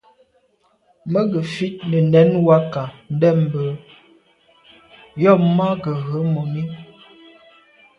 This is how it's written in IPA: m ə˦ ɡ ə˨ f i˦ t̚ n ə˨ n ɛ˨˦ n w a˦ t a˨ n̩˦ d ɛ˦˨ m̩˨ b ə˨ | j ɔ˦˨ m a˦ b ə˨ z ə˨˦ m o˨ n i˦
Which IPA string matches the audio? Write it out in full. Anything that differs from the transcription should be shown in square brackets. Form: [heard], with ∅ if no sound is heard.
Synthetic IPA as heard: m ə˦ ɡ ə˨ f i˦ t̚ n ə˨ n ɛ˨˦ n w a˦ [k] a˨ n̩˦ d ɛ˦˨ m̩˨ b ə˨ | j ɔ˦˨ m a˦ [ɡ] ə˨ [ɣ] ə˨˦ m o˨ [m] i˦